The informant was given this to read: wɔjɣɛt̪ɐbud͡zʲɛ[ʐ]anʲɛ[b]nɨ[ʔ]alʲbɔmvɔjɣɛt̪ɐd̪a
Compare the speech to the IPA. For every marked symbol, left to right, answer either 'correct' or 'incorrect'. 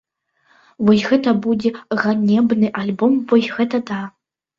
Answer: incorrect: ɣ, correct, correct

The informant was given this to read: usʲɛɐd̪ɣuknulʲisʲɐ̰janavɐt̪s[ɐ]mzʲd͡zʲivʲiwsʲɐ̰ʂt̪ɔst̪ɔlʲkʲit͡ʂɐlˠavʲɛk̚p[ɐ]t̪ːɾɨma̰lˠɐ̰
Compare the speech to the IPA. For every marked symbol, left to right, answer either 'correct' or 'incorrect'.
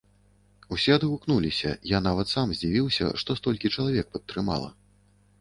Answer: incorrect: a, correct

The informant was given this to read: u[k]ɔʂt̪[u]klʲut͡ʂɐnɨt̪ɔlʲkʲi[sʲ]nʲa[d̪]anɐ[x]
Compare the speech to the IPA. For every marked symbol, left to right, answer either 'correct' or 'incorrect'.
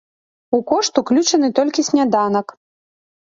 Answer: correct, correct, correct, correct, incorrect: k

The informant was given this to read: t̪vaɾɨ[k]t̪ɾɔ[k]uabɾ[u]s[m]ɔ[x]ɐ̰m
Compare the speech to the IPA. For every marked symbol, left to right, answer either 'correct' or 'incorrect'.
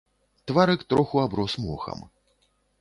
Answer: correct, incorrect: x, incorrect: ɔ, correct, correct

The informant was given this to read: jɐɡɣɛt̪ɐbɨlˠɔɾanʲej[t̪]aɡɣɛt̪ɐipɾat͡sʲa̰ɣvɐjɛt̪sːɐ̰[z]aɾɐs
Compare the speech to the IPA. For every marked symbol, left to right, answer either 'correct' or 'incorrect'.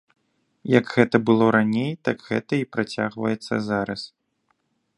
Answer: correct, correct

